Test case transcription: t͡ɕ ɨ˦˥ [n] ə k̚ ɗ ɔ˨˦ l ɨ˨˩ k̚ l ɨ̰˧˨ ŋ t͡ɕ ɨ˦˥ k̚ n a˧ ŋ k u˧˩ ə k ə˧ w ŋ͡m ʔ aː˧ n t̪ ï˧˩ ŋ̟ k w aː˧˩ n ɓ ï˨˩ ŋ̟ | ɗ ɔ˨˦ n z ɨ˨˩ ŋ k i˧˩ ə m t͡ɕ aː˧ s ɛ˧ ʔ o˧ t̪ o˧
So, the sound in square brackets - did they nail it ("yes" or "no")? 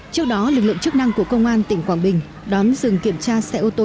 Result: no